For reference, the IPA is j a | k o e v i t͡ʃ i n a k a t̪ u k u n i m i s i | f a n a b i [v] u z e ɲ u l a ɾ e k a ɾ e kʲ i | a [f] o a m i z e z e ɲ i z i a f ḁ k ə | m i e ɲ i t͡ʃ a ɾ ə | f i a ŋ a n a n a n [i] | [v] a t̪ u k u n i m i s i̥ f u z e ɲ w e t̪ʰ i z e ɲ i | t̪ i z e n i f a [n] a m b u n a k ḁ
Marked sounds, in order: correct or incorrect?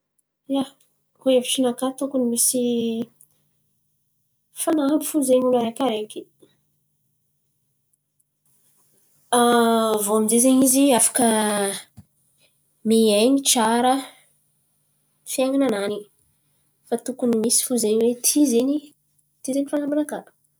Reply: incorrect: f, incorrect: v, correct, incorrect: f, correct

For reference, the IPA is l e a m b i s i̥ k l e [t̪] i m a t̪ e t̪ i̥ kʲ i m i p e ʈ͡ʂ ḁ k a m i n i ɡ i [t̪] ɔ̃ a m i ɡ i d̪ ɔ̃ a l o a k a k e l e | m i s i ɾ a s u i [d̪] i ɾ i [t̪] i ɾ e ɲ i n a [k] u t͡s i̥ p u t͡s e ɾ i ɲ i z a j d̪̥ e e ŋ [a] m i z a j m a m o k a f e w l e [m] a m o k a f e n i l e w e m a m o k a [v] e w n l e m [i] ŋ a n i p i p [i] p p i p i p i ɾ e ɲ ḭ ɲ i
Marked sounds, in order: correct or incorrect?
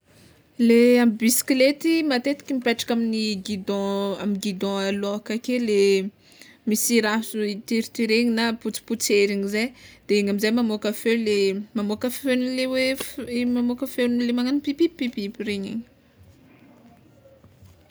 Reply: correct, incorrect: d̪, incorrect: t̪, correct, incorrect: p, correct, correct, incorrect: f, incorrect: a, correct

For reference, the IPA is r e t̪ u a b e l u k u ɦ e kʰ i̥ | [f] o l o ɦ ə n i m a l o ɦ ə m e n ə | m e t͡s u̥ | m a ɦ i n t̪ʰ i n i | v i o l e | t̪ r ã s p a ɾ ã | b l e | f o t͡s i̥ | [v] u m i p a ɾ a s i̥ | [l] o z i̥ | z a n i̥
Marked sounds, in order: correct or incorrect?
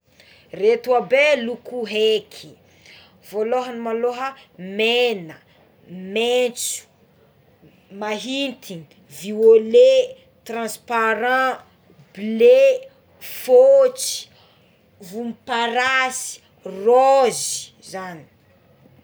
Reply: incorrect: v, correct, incorrect: r

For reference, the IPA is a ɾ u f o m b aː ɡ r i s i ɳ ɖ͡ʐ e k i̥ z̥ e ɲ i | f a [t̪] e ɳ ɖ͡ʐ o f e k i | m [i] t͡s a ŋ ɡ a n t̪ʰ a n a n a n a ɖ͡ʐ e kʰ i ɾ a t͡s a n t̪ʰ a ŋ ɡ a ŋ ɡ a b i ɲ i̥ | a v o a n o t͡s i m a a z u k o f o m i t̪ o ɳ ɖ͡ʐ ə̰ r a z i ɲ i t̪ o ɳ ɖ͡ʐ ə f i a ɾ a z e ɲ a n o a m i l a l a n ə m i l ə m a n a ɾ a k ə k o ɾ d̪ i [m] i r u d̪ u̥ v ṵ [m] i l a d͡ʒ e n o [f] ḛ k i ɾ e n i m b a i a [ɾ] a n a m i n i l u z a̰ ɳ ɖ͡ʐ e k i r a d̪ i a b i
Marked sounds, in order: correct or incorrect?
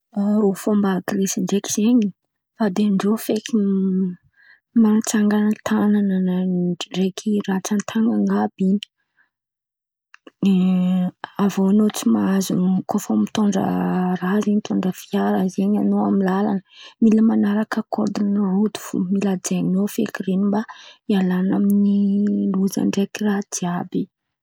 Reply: incorrect: d̪, incorrect: a, incorrect: n, correct, correct, incorrect: l

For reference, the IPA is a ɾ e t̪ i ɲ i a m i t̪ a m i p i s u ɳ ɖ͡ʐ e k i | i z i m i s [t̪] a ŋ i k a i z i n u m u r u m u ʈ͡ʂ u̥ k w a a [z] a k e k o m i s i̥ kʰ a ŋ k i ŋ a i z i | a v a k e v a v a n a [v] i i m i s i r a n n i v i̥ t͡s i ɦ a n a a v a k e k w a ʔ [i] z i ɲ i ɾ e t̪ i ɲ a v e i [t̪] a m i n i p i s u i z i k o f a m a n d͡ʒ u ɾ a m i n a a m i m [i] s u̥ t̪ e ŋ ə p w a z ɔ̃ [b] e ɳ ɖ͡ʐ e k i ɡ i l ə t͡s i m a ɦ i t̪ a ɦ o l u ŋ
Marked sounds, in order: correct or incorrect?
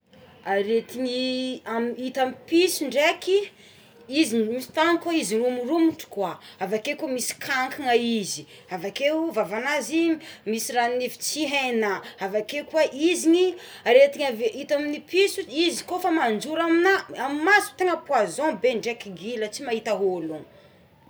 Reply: correct, incorrect: v, incorrect: z, correct, correct, incorrect: a, correct

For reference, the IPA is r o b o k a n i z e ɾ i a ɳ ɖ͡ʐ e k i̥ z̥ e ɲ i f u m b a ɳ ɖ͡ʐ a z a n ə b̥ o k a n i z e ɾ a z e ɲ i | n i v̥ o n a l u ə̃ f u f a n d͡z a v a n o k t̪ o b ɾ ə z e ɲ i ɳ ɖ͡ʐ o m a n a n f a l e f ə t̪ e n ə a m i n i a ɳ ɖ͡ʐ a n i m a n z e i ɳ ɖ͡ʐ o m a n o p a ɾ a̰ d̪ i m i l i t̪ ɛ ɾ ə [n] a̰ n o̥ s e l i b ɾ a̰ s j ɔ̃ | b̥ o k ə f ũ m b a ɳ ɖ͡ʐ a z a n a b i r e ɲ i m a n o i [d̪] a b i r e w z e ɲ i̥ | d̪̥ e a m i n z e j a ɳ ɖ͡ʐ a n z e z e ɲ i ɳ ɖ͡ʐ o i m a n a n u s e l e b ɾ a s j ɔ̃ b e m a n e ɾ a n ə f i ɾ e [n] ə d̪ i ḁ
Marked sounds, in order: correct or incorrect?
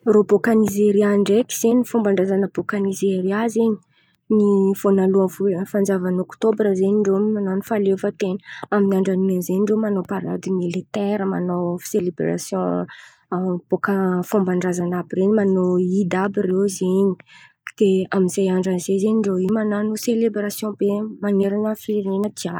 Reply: incorrect: m, correct, correct

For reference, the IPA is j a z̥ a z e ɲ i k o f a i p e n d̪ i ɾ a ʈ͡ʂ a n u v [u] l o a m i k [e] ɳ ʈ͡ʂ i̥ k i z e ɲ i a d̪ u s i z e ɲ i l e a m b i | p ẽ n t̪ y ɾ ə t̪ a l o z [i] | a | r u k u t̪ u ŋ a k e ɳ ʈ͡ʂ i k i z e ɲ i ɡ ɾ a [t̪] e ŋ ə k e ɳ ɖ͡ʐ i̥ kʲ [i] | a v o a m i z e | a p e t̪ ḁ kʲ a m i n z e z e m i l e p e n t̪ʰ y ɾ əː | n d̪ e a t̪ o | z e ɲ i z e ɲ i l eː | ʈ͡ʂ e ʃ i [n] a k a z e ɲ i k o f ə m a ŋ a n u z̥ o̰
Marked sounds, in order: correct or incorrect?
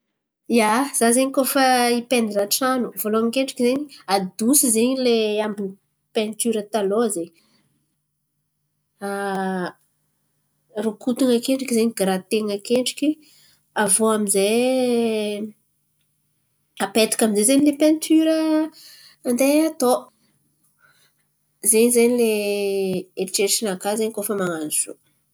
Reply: incorrect: o, correct, incorrect: e, correct, correct, correct

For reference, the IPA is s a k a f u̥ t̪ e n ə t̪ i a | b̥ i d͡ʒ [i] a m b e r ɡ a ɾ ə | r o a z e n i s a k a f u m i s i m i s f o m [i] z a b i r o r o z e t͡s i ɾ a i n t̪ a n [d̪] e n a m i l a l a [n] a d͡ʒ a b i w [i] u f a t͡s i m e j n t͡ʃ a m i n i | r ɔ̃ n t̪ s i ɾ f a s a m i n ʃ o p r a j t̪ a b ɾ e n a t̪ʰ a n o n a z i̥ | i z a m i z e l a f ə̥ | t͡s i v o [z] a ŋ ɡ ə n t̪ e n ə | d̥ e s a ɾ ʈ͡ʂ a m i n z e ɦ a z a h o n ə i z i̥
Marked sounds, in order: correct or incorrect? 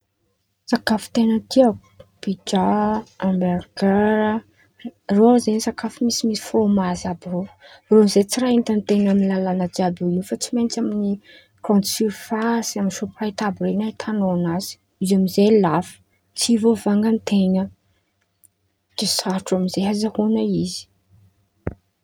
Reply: incorrect: a, incorrect: a, incorrect: t̪, correct, correct, incorrect: v

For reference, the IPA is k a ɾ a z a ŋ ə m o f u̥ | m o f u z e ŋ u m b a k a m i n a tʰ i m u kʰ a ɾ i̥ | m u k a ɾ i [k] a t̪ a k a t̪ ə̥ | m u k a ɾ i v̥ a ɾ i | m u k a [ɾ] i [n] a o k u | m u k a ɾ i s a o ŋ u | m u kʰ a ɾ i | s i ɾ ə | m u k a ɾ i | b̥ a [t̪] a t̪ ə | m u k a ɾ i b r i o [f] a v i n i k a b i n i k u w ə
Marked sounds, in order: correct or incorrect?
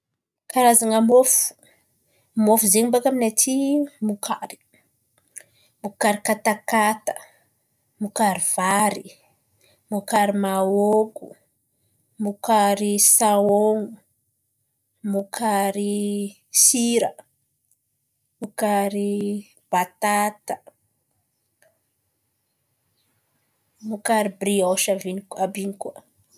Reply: correct, correct, incorrect: m, correct, incorrect: ʃ

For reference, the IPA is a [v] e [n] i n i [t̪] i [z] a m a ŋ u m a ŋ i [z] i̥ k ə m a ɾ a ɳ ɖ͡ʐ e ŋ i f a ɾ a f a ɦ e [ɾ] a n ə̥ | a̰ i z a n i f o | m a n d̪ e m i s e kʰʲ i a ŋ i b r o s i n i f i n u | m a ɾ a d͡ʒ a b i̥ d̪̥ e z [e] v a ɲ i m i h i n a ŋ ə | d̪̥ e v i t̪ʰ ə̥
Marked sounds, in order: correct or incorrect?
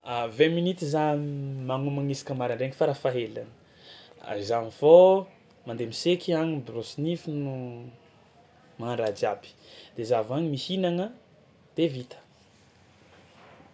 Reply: correct, incorrect: m, correct, correct, incorrect: s, incorrect: l, incorrect: a

